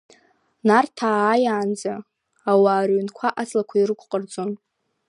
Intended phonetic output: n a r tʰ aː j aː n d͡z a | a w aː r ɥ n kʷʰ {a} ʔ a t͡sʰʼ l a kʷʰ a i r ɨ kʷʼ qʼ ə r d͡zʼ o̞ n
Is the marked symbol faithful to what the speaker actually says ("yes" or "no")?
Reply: yes